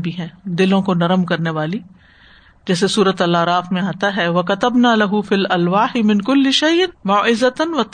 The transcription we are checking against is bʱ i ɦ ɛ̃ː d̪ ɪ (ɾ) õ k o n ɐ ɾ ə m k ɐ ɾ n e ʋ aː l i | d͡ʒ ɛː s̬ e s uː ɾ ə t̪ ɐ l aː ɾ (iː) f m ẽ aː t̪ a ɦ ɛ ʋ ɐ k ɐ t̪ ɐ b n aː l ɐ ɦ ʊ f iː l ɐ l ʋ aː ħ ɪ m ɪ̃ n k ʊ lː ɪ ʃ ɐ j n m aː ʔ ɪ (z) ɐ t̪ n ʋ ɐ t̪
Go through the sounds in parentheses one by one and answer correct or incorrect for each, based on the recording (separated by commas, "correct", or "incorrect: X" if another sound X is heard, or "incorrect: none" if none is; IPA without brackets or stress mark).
incorrect: l, incorrect: aː, correct